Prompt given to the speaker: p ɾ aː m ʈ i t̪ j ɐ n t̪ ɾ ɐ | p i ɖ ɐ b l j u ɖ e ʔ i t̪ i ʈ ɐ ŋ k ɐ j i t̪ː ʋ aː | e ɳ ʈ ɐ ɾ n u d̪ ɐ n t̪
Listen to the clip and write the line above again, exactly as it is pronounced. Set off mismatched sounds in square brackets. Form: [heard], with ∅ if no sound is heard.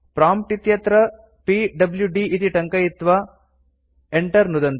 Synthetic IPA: p ɾ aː m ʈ i t̪ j ɐ [∅] t̪ ɾ ɐ | p i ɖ ɐ b l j u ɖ [i] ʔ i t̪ i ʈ ɐ ŋ k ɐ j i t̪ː ʋ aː | e ɳ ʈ ɐ ɾ n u d̪ ɐ n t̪